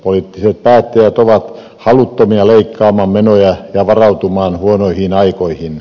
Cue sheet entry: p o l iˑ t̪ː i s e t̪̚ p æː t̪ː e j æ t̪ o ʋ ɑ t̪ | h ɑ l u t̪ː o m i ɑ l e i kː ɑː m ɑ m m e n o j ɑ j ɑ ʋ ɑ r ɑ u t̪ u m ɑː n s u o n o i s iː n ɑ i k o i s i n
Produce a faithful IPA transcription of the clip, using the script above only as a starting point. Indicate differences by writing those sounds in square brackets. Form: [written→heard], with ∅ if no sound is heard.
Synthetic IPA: p o l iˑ t̪ː i s e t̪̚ p æː t̪ː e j æ t̪ o ʋ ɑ t̪ | h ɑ l u t̪ː o m i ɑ l e i kː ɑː m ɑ m m e n o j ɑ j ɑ ʋ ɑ r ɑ u t̪ u m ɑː n [s→h] u o n o i [s→h] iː n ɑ i k o i [s→h] i n